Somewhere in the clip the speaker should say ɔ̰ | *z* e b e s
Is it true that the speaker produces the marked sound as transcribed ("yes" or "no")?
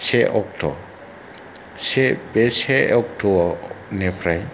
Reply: no